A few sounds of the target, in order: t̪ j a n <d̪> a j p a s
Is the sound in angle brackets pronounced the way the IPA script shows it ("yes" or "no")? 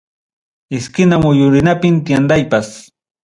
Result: yes